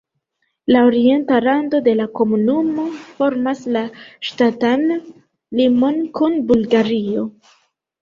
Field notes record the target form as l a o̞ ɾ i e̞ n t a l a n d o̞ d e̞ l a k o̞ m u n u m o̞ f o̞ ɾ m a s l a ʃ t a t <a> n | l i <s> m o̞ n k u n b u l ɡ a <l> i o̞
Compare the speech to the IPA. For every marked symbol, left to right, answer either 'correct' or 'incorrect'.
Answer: correct, incorrect, incorrect

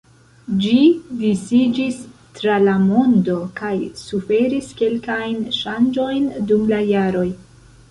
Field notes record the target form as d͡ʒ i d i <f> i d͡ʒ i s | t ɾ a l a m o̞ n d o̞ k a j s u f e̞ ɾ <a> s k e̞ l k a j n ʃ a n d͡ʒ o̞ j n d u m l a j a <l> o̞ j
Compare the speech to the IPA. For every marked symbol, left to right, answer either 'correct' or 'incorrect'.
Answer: incorrect, incorrect, incorrect

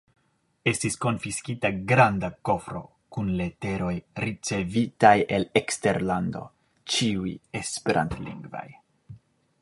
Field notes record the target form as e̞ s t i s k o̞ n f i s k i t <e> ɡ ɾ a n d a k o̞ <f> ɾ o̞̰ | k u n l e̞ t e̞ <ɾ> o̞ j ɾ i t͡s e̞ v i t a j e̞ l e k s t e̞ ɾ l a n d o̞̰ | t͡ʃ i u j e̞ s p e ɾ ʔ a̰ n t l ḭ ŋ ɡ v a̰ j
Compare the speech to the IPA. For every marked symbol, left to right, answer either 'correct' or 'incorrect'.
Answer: incorrect, correct, correct

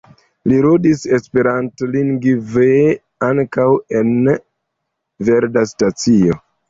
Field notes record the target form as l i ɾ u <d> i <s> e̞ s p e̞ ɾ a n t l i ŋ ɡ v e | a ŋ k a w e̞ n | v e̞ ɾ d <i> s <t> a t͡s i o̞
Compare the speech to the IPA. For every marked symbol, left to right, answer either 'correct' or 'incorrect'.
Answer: correct, correct, incorrect, correct

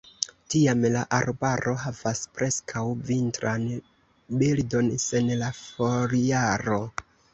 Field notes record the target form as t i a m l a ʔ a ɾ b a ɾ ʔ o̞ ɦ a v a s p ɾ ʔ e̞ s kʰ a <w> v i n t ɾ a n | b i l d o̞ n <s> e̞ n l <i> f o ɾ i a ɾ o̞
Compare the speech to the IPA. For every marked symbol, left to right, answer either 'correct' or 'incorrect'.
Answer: correct, correct, incorrect

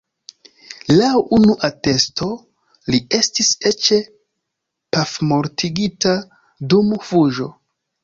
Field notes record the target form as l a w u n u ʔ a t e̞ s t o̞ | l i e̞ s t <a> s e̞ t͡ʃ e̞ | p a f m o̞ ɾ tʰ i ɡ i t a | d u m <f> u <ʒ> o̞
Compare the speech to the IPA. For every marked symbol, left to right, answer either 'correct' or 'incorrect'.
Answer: incorrect, correct, correct

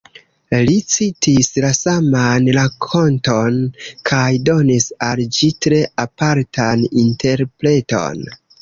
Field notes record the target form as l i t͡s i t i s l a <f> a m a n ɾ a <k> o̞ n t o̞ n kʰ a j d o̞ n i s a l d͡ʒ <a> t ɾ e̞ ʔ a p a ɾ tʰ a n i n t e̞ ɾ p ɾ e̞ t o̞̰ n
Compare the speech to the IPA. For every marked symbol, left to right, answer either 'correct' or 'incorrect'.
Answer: incorrect, incorrect, incorrect

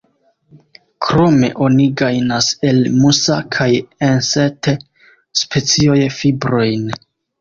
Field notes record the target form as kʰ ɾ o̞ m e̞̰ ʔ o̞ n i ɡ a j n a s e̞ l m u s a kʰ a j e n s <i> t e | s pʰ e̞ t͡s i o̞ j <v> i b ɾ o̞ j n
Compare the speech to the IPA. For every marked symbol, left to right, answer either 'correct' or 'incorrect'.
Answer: incorrect, incorrect

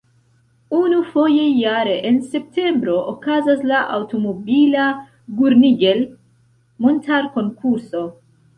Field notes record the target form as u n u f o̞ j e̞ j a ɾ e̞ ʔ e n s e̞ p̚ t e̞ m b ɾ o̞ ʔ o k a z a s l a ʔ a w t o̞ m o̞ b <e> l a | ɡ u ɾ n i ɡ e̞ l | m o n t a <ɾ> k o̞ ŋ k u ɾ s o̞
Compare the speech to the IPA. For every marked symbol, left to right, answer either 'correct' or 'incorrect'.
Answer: incorrect, correct

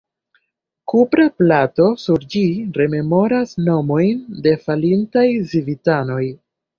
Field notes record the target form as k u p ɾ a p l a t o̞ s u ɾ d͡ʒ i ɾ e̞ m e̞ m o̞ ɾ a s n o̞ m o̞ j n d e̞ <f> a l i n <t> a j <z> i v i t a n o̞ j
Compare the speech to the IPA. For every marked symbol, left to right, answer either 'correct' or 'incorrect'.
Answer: correct, correct, correct

